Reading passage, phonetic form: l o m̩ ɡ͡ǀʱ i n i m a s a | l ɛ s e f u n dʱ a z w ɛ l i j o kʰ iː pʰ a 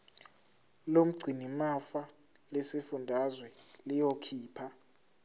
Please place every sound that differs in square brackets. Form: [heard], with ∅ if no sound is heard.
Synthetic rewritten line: l o m̩ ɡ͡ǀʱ i n i m a [f] a | l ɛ s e f u n dʱ a z w ɛ l i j o kʰ iː pʰ a